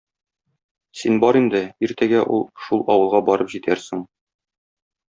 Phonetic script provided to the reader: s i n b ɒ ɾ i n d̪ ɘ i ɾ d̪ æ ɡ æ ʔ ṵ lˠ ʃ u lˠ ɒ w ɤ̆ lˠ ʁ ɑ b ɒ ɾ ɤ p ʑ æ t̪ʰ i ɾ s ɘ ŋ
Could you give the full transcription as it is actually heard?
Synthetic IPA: s i n b ɒ ɾ i n d̪ ɘ i ɾ t̪ æ ɡ æ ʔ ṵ lˠ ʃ u lˠ ɒ w ɤ̆ lˠ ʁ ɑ b ɒ ɾ ɤ p ʑ i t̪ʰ æ ɾ s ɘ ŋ